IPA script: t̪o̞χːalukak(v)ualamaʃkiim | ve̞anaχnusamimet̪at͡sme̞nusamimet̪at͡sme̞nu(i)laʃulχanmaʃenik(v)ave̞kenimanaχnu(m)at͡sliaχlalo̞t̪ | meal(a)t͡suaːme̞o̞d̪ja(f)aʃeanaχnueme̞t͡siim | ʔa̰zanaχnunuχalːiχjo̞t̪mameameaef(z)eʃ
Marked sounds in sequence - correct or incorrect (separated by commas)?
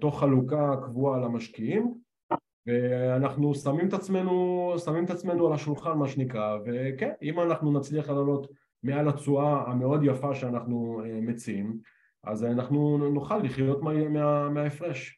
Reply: correct, incorrect, incorrect, incorrect, correct, correct, incorrect